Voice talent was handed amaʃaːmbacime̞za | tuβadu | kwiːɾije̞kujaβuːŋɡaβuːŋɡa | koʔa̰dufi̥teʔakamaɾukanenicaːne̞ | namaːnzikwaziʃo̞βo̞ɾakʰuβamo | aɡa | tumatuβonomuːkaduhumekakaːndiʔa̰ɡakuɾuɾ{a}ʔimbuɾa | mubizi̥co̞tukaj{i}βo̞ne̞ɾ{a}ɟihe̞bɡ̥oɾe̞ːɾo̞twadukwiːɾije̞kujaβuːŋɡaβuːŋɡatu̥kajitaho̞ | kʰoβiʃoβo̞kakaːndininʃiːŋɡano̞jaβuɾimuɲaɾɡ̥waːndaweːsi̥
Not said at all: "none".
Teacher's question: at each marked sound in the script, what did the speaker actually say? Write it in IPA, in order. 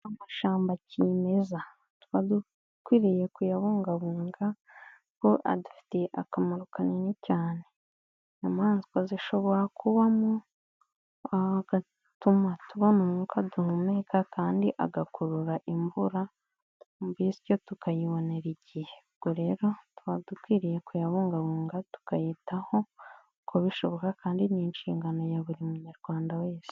a, i, i

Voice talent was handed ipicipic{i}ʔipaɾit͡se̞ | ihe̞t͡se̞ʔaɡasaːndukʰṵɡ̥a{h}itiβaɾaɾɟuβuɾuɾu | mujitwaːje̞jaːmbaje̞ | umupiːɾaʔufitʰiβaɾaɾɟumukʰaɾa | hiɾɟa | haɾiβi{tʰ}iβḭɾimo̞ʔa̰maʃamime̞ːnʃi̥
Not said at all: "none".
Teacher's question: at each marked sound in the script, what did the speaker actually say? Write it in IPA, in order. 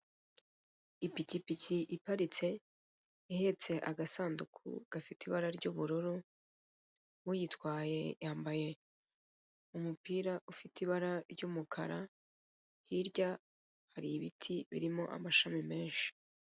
i, f, tʰ

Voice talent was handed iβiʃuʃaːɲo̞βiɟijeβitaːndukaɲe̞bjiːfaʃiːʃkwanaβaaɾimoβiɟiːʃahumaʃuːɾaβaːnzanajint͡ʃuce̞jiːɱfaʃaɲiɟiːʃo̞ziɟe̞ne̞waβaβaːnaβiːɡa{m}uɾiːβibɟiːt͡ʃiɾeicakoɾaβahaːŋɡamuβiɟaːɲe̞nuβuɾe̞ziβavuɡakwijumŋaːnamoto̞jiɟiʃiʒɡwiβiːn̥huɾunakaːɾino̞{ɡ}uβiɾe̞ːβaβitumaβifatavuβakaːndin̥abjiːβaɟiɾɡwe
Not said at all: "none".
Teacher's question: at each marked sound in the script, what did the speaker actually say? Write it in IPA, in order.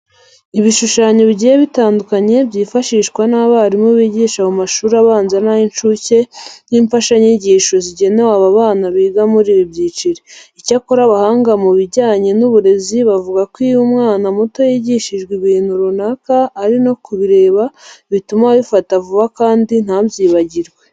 m, k

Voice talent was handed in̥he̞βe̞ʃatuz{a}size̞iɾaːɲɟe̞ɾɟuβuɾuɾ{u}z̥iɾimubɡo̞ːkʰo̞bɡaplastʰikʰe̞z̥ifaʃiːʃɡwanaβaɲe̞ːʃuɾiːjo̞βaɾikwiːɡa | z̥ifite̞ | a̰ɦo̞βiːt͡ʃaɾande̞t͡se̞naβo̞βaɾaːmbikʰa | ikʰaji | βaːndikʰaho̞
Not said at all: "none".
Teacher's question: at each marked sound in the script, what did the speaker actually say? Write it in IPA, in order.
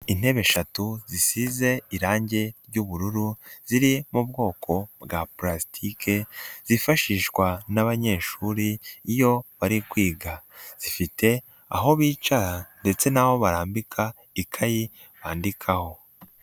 i, u

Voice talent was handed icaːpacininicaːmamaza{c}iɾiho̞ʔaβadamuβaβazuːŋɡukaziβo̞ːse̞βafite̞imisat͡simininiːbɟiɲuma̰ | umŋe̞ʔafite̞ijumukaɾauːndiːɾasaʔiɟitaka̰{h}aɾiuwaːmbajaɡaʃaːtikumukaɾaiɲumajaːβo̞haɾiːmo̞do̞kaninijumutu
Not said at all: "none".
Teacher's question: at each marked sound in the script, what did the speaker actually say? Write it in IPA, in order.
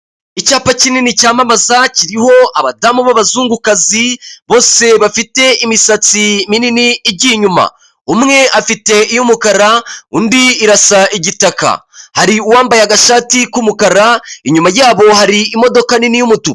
c, h

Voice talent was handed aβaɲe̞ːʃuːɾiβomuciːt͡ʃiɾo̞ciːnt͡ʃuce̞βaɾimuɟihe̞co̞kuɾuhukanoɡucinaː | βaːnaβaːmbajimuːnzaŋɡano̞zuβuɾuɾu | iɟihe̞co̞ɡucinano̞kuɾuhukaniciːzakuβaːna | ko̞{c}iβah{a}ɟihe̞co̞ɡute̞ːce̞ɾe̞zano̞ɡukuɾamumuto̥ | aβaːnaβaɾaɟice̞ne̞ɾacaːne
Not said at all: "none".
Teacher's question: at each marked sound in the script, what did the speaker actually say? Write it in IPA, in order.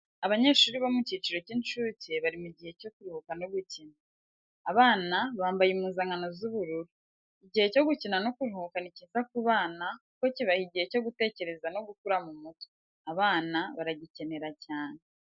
c, i

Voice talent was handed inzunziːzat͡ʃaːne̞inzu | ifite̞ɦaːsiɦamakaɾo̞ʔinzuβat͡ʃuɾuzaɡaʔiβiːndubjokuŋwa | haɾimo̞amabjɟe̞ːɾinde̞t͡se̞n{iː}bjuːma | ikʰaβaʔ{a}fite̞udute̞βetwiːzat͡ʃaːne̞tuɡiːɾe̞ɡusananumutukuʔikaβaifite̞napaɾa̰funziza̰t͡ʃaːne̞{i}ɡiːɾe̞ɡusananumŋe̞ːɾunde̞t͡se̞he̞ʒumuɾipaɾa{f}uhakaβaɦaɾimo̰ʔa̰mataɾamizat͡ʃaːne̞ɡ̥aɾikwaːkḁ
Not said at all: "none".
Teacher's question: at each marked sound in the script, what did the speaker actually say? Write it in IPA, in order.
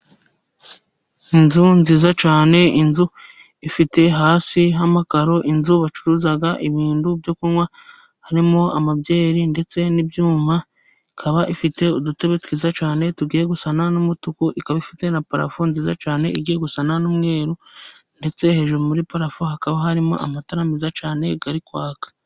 i, i, i, f

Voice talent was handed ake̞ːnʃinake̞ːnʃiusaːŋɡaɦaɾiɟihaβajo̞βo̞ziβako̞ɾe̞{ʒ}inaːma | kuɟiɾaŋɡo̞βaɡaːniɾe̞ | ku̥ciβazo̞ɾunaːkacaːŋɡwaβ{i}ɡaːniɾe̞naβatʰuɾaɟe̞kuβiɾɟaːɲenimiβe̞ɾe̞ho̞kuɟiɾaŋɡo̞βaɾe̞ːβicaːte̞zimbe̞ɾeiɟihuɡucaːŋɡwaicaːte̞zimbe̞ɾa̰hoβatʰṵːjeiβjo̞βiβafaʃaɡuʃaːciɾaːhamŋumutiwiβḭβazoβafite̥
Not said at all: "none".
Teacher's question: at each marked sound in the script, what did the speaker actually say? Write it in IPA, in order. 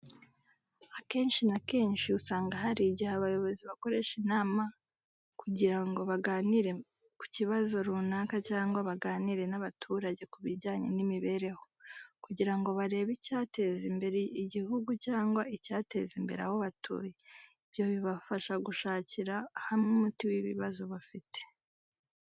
ʃ, a

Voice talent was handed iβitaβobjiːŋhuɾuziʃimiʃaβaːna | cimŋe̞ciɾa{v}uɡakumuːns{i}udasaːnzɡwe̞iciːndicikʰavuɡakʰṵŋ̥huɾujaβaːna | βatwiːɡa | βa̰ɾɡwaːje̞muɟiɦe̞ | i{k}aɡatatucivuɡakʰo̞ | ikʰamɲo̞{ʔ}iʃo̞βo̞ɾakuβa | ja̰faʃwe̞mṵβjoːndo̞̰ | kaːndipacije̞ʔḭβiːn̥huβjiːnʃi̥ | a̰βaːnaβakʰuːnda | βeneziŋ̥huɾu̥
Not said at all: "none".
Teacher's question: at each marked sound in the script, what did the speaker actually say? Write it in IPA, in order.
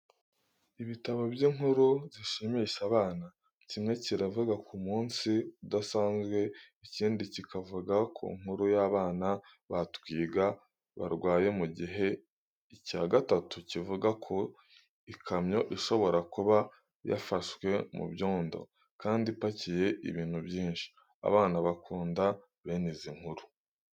v, i, c, ʔ

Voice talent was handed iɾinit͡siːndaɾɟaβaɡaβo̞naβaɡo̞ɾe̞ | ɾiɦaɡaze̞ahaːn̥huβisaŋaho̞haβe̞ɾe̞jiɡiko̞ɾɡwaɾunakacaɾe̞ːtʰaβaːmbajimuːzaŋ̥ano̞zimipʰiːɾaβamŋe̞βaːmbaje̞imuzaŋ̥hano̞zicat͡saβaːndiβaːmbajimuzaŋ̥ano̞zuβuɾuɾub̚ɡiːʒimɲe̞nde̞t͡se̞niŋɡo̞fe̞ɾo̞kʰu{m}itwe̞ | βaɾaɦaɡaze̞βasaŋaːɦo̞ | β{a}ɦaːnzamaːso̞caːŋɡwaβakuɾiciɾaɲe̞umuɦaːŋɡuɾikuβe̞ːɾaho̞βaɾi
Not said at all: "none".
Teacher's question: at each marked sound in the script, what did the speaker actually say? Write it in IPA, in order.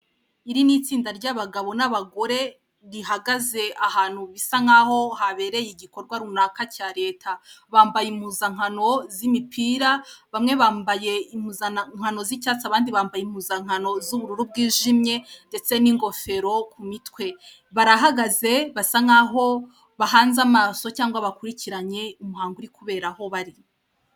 m, a

